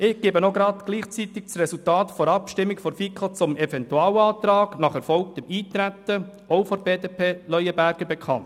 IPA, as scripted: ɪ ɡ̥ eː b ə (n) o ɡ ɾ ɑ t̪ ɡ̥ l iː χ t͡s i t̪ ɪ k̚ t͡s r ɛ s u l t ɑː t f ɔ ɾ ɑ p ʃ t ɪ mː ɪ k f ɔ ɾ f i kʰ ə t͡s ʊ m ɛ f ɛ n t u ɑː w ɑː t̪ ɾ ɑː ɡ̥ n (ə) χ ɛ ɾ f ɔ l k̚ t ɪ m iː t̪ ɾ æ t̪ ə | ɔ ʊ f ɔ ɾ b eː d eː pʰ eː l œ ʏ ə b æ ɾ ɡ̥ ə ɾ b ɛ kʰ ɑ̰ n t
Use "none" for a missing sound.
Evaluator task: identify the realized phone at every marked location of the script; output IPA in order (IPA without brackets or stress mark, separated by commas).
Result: n, ɑ